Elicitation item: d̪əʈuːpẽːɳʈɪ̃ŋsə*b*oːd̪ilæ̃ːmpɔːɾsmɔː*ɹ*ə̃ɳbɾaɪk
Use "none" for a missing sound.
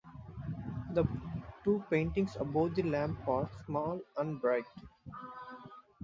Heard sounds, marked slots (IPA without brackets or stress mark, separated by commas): b, l